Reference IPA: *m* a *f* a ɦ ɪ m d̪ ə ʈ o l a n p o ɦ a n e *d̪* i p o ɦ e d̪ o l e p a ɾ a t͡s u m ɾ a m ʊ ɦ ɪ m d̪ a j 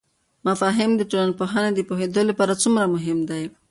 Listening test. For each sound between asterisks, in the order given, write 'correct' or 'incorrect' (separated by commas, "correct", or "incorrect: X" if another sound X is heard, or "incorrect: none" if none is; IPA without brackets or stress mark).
correct, correct, correct